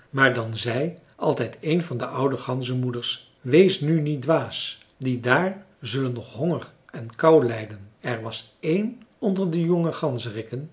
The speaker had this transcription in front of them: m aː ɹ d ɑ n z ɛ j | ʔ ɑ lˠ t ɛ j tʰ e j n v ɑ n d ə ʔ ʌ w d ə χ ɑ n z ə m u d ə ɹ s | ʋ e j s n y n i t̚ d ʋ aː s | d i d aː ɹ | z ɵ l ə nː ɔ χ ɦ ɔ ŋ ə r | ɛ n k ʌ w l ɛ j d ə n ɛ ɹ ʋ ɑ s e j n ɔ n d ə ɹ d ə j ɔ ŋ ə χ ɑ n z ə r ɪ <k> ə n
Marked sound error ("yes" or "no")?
no